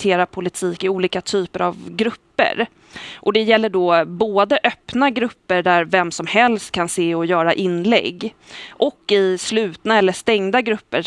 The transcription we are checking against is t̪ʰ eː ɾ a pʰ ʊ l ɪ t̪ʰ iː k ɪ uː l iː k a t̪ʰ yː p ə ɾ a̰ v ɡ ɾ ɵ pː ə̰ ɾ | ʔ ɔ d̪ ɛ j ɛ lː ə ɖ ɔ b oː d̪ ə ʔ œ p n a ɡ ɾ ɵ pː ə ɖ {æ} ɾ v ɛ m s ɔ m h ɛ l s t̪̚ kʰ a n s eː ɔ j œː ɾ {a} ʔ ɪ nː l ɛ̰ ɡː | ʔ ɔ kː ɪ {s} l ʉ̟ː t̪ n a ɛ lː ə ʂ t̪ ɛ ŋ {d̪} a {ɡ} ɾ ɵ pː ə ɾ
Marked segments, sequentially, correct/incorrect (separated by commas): correct, correct, correct, correct, correct